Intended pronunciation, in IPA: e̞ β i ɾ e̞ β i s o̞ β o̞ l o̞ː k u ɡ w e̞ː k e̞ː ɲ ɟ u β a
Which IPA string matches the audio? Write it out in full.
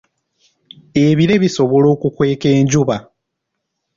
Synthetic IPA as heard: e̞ β i ɾ e̞ β i s o̞ β o̞ l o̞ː k u k w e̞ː k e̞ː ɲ ɟ u β a